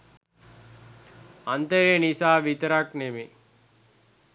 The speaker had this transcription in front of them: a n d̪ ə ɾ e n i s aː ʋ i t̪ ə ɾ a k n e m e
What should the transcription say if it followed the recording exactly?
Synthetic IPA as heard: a n t̪ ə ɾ e n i s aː ʋ i t̪ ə ɾ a k n e m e

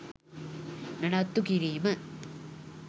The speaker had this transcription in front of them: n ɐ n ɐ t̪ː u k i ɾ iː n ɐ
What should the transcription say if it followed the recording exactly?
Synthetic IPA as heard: n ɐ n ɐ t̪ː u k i ɾ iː m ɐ

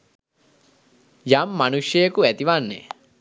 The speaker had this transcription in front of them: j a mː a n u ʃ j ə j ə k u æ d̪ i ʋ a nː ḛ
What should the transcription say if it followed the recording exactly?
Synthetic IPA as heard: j a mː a n u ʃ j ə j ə k u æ t̪ i ʋ a nː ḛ

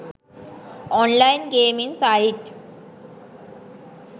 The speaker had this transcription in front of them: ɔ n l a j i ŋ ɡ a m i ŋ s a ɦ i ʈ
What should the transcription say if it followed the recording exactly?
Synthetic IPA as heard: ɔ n l a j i n ɡ e m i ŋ s a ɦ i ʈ

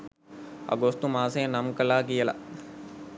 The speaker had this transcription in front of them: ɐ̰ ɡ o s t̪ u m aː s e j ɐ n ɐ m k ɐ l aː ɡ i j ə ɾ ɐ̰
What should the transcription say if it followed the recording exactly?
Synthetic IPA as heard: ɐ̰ ɡ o s t̪ u m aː s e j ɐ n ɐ m k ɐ l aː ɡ i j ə l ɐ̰

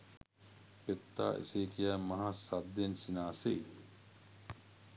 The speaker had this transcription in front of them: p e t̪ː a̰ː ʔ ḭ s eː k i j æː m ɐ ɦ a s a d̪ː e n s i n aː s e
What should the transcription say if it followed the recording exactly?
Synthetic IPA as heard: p e t̪ː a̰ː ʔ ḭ s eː k i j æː m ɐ ɦ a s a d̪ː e n s i n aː s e

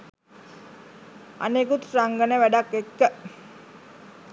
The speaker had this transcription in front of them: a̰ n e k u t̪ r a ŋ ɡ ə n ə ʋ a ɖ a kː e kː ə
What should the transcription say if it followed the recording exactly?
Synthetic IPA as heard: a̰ n e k u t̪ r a ŋ ɡ ə n ə ʋ æ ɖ a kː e kː ə

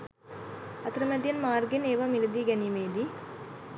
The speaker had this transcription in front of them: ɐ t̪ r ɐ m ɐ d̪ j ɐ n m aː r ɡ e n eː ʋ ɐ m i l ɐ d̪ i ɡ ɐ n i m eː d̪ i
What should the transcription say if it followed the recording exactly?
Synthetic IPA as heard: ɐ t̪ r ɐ m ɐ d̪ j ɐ n m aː r ɡ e n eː ʋ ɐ m i l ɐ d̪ i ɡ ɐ n i m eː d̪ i

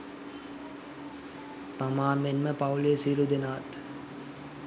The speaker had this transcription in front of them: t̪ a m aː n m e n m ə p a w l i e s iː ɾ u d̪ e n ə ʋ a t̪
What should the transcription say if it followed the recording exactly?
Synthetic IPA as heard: t̪ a m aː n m e n m ə p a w l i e s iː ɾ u d̪ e n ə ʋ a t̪

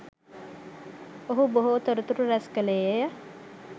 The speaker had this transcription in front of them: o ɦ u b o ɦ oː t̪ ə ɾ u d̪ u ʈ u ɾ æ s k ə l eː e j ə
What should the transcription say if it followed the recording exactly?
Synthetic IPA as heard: o ɦ u b o ɦ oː t̪ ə ɾ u t̪ u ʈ u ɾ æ s k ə l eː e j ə

